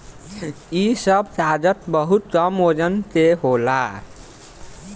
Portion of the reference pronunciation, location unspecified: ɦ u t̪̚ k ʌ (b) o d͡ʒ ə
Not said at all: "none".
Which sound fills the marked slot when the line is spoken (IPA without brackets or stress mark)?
m